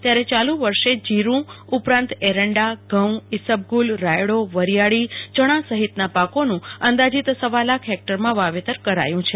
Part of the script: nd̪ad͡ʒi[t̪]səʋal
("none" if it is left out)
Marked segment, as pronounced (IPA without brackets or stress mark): t̪